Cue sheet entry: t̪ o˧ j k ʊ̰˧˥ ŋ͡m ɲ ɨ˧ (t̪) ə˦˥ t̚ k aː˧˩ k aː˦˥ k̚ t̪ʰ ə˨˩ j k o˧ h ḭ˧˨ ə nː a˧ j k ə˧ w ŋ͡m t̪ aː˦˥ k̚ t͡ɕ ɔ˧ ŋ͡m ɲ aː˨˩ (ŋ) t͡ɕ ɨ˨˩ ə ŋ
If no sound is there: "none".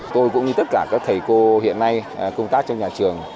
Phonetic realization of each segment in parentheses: t̪, none

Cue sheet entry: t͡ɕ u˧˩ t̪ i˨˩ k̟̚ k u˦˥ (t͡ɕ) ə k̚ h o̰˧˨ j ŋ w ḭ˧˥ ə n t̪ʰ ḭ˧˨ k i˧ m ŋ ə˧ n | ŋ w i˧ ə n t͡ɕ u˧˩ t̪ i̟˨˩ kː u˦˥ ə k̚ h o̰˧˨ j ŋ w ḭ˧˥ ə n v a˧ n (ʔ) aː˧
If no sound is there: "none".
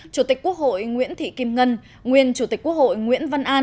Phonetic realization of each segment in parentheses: none, ʔ

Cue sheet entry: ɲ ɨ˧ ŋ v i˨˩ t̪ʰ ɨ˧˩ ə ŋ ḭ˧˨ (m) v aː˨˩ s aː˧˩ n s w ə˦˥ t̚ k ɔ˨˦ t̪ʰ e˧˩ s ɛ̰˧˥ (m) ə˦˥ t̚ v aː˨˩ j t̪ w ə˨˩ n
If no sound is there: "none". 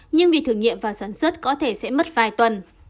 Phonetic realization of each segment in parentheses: m, m

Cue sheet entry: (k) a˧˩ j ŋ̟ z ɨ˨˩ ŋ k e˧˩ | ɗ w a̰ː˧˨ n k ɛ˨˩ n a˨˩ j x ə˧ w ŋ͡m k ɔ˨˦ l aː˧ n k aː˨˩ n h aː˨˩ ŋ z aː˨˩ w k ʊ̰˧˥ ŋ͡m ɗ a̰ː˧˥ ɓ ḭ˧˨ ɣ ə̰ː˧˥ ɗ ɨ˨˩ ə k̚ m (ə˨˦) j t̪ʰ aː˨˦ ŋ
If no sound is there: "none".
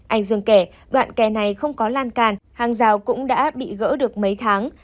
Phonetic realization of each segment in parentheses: ʔ, ə˨˦

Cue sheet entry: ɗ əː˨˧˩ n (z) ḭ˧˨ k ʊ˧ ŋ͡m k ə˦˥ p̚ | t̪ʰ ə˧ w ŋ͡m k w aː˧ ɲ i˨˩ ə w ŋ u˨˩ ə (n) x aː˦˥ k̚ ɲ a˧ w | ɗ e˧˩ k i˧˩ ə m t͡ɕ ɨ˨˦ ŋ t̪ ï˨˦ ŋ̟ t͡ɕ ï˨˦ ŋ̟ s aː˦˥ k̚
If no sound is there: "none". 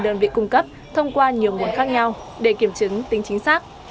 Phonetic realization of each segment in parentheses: v, n

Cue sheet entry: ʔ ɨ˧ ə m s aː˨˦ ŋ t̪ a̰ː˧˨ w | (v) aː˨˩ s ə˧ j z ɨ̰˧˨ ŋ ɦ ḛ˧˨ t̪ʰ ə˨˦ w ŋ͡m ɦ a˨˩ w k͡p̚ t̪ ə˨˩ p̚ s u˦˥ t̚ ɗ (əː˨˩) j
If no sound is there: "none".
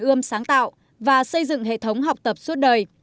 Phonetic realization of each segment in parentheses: v, əː˨˩

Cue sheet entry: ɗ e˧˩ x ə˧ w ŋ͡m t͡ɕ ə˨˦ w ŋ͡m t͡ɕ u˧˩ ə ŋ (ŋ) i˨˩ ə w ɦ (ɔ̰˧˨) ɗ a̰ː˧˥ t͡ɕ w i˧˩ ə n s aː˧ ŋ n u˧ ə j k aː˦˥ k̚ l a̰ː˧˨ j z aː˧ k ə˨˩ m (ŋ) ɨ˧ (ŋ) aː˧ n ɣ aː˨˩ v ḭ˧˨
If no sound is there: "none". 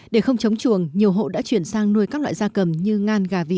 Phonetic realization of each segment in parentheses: ɲ, o̰˧˨, ɲ, ŋ

